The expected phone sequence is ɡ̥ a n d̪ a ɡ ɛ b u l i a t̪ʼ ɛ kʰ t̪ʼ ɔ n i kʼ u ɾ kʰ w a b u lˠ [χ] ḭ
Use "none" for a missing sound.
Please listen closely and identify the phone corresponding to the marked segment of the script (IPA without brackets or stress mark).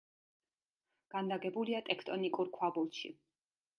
ʃ